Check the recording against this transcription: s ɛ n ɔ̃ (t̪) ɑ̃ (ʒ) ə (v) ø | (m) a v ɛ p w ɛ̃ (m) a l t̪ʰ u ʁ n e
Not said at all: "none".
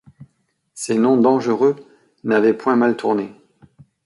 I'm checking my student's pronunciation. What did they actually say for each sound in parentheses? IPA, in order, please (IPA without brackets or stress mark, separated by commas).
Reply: d̪, ʒ, ʁ, n, m